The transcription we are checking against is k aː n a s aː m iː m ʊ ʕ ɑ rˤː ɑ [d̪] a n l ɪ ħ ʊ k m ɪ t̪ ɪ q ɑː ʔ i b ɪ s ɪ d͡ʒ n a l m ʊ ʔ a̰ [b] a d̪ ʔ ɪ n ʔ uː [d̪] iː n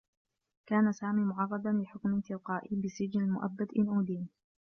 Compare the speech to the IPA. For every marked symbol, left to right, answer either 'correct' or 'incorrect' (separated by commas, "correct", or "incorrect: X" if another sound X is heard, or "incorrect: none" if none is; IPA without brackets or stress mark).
correct, incorrect: bː, correct